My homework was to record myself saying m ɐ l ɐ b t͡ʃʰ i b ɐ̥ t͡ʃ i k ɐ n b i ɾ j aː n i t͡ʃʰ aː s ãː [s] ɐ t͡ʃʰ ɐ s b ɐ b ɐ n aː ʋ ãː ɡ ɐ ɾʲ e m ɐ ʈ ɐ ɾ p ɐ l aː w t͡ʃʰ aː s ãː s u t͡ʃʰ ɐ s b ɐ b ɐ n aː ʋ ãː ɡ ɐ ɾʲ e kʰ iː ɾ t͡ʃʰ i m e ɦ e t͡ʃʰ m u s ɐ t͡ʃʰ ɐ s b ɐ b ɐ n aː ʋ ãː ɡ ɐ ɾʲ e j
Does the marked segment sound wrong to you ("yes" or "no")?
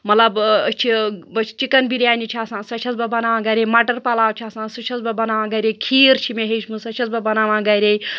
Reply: no